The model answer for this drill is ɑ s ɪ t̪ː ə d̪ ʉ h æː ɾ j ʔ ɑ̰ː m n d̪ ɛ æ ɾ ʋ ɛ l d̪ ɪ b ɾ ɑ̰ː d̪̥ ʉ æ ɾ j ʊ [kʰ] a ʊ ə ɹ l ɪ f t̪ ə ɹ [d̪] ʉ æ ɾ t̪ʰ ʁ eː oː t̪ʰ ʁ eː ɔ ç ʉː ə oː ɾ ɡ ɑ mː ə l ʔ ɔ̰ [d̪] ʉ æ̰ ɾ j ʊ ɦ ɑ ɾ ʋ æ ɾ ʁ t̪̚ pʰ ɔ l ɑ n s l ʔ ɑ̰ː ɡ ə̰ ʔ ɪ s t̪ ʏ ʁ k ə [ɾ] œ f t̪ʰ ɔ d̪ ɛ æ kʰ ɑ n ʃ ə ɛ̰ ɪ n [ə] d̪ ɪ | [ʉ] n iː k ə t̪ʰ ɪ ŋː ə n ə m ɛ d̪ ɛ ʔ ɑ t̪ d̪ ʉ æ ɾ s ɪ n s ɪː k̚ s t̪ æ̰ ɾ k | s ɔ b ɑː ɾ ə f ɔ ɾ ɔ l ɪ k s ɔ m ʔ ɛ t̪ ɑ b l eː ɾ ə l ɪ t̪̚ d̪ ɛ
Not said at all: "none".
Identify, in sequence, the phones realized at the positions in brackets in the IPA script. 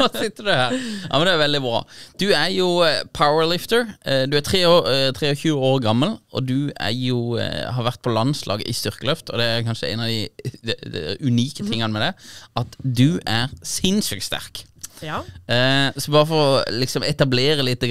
pʰ, d̪, d̪, l, ɑ, ʉ

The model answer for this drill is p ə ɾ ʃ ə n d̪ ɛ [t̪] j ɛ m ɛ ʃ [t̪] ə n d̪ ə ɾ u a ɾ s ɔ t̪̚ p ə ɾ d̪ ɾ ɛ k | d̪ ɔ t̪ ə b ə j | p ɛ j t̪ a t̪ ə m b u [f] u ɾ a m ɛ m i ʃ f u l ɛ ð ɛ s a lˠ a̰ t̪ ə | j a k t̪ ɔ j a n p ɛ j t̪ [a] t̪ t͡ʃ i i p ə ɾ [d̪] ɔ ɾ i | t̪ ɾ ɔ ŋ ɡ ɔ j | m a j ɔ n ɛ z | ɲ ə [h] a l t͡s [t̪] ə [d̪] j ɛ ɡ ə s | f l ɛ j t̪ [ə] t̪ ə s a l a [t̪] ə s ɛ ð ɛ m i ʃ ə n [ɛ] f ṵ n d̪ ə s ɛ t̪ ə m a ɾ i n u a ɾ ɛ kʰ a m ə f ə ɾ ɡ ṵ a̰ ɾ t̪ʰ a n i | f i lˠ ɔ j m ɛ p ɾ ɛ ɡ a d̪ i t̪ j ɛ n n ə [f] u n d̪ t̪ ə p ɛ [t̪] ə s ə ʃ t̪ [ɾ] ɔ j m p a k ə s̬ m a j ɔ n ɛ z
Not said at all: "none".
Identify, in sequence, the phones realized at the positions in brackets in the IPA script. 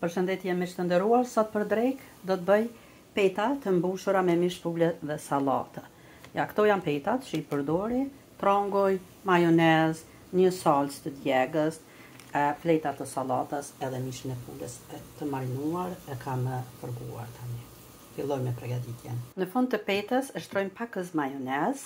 t̪, t̪, ʃ, a, d̪, s, t̪, d̪, a, t̪, ɛ, f, t̪, ɾ

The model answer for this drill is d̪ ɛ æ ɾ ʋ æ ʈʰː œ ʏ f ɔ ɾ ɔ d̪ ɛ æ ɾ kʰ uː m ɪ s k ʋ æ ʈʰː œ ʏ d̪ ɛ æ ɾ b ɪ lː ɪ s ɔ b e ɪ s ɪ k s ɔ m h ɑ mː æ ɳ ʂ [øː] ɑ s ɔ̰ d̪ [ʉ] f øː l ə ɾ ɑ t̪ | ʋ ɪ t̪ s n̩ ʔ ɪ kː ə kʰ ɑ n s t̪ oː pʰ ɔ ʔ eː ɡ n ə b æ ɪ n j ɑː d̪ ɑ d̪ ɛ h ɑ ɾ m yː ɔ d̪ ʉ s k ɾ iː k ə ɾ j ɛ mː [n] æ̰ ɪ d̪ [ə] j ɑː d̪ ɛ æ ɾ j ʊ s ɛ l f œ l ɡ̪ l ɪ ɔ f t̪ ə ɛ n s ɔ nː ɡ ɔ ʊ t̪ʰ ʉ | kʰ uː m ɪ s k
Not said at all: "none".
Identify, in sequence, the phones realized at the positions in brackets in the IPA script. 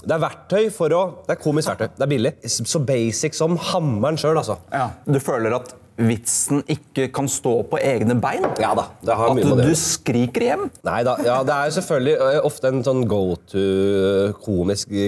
øː, ʉ, n, ɑ

